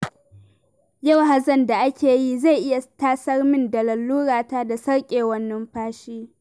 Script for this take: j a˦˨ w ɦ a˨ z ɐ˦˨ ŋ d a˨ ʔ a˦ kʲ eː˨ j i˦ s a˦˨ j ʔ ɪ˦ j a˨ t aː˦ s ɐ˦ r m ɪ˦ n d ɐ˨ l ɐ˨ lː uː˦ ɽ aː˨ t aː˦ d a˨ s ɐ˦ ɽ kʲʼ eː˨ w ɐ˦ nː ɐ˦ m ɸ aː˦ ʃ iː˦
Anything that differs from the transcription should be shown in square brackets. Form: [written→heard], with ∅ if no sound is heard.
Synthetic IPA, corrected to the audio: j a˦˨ w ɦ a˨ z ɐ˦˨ [ŋ→n] d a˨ ʔ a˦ kʲ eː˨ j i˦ [s→z] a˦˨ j ʔ ɪ˦ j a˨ t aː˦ s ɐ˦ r m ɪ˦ n d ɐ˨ l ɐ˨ lː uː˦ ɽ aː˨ t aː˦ d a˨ s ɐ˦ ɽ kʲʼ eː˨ w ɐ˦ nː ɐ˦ m ɸ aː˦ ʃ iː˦